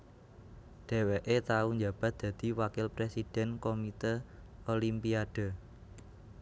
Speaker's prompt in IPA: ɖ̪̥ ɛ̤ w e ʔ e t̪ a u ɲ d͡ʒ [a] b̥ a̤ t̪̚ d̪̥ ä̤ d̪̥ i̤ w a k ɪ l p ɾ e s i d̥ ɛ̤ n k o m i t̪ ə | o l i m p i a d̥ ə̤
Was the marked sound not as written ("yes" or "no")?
no